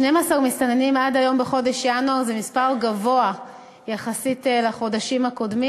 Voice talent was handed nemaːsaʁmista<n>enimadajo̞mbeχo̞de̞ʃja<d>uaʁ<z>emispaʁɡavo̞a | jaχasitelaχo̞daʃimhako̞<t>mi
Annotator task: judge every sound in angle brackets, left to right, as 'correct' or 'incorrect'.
correct, incorrect, correct, incorrect

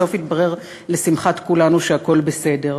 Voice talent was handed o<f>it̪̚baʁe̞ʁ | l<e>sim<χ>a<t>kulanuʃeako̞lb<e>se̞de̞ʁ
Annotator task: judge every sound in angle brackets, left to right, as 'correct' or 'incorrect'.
correct, correct, correct, correct, correct

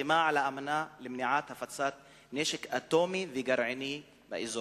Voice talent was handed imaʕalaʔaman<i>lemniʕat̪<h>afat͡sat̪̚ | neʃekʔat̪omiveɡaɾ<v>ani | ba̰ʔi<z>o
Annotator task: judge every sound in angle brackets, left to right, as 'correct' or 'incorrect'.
incorrect, correct, incorrect, correct

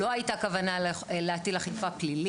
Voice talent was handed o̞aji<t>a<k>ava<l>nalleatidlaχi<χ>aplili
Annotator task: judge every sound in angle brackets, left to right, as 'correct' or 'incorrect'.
correct, correct, incorrect, incorrect

